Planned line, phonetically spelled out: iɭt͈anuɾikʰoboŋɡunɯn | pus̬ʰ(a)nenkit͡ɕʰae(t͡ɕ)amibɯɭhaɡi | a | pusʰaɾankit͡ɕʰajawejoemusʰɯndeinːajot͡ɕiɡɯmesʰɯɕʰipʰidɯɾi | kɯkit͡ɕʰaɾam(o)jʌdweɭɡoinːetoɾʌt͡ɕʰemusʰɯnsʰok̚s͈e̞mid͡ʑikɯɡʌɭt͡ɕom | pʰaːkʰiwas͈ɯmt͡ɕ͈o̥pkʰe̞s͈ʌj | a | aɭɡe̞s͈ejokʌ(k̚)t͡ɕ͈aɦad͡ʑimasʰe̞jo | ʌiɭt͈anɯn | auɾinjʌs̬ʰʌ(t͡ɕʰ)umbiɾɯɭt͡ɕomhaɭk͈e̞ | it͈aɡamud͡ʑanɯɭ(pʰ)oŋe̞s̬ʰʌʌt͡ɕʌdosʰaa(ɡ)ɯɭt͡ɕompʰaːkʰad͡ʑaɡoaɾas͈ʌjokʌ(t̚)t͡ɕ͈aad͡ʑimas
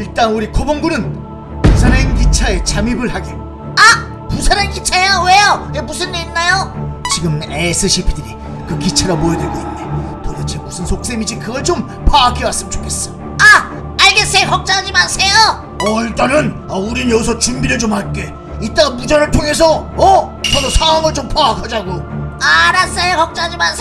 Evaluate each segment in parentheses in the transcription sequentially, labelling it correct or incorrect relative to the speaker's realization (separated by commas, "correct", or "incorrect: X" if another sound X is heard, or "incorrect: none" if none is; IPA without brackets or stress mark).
correct, correct, correct, correct, incorrect: t͡ɕ, incorrect: tʰ, incorrect: ŋ, incorrect: k̚